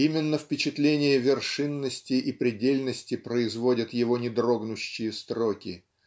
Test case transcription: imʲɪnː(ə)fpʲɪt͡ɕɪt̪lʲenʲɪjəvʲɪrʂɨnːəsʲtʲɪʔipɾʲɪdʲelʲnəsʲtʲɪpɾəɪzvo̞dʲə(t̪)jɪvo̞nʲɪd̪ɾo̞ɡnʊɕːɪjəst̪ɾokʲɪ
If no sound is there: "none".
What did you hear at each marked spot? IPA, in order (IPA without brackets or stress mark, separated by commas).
ə, t̪